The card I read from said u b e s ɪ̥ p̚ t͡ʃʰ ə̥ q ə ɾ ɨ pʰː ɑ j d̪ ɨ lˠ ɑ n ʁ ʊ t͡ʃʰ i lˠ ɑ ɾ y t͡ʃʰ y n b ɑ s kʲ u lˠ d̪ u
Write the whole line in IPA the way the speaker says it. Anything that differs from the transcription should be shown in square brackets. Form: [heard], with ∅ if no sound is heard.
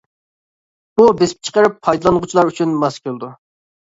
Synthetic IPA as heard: u b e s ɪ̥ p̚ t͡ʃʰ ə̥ q ə ɾ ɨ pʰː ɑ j d̪ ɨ lˠ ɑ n ʁ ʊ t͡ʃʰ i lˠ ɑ ɾ y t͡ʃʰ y n [m] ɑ s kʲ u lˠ d̪ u